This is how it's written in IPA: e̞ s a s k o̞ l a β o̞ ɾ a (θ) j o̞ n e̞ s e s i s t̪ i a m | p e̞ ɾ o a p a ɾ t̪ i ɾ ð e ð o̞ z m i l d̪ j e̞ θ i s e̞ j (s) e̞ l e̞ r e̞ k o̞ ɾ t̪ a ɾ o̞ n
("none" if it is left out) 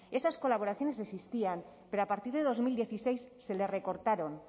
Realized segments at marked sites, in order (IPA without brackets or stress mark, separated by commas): θ, sː